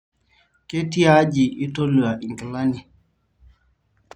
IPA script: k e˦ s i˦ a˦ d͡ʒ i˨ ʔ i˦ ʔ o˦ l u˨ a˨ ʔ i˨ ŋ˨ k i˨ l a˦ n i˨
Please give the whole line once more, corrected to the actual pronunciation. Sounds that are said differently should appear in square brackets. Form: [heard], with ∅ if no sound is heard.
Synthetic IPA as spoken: k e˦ [t] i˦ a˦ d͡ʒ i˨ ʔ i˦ [t] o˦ l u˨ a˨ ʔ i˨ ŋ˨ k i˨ l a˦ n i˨